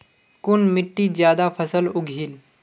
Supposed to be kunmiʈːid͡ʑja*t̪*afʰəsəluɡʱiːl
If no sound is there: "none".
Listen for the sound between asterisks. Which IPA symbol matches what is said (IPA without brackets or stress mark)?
d̪